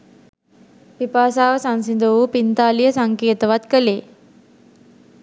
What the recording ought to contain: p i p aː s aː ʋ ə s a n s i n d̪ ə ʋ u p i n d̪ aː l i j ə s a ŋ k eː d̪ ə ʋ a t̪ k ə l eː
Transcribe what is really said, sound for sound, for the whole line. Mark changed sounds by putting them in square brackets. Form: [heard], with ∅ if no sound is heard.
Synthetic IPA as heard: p i p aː s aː ʋ ə s a n s i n d̪ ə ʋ u p i n [t̪] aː l i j ə s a ŋ k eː [t̪] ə ʋ a t̪ k ə l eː